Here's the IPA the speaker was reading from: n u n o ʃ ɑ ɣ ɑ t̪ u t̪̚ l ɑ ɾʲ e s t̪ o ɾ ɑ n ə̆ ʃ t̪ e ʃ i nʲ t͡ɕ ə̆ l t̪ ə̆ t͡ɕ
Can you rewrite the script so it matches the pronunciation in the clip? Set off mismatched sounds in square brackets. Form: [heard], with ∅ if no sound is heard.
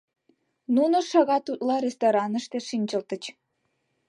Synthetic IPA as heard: n u n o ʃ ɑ ɣ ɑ t̪ u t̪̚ l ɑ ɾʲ e s t̪ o ɾ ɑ n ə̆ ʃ t̪ e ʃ i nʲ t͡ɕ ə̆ l t̪ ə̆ t͡ɕ